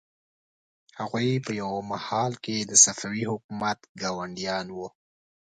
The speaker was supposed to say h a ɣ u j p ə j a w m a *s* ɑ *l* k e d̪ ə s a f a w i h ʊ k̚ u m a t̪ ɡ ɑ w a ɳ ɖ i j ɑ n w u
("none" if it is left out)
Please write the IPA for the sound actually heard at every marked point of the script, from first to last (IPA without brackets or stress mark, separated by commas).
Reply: h, l